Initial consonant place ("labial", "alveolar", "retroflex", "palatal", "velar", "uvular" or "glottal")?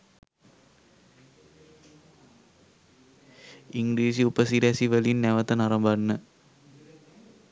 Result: velar